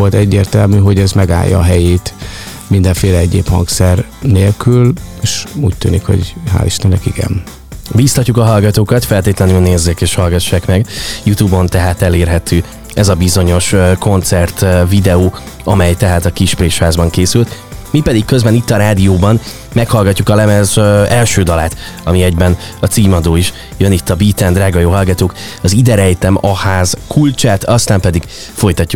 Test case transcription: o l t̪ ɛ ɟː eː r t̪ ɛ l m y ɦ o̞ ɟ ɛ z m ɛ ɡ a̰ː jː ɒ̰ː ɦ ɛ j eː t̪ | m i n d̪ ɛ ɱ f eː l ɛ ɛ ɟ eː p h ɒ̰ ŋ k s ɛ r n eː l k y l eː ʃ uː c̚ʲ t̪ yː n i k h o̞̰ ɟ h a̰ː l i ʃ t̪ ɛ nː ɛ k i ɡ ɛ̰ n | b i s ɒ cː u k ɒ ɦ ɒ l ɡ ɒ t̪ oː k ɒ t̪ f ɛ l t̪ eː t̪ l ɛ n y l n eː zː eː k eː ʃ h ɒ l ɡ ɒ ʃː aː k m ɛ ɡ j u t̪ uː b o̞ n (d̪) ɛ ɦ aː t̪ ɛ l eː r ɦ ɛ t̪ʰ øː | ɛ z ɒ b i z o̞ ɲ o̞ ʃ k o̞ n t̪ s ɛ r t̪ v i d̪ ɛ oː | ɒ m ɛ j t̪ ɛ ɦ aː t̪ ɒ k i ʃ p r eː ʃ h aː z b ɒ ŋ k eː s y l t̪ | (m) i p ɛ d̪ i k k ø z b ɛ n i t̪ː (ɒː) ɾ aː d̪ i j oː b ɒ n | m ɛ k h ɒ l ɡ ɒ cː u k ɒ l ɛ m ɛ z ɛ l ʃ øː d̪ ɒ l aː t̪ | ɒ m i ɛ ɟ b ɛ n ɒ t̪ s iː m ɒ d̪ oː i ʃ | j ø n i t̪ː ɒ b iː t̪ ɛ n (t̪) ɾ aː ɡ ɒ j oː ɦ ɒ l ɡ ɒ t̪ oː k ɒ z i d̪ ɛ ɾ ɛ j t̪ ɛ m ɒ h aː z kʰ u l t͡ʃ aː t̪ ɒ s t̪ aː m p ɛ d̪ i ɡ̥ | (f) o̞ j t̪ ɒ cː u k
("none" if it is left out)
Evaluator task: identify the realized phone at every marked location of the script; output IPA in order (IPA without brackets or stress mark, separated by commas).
t̪, m, ɒ, d̪, f